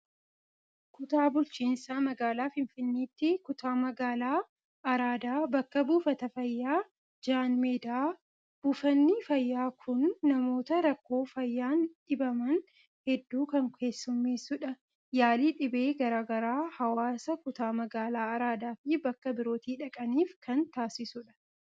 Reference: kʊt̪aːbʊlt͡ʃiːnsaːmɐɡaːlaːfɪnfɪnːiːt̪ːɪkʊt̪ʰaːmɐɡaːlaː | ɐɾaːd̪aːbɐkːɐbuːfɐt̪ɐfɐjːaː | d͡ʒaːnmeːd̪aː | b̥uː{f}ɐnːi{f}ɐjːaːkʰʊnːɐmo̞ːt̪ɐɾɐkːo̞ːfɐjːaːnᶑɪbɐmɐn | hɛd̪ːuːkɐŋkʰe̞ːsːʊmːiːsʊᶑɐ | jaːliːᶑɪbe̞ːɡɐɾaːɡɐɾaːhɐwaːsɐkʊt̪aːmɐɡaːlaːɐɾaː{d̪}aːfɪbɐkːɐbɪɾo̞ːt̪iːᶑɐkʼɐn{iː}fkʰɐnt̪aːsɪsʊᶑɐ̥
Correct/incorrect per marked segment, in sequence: correct, correct, correct, correct

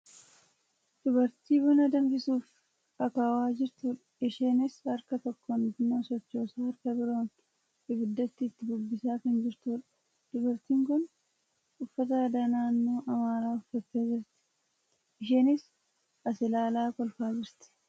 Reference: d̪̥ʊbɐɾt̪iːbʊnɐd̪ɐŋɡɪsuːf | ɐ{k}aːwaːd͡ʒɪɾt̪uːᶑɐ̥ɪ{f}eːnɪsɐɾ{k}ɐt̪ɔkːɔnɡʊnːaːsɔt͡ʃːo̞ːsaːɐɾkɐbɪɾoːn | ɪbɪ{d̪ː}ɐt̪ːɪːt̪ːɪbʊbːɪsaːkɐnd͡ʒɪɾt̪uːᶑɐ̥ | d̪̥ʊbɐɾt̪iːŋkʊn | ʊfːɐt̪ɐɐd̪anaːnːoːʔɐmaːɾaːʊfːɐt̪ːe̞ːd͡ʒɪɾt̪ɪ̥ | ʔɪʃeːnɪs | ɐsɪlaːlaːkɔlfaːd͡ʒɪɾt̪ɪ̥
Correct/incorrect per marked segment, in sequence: correct, incorrect: ʃ, correct, correct

